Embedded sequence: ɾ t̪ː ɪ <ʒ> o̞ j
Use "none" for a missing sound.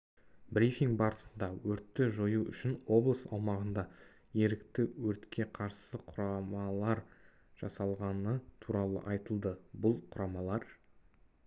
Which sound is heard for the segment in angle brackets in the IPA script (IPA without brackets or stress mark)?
ʒ